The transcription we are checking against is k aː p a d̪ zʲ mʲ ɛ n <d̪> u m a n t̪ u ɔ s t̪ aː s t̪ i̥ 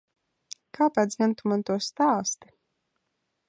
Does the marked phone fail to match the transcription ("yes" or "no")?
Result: yes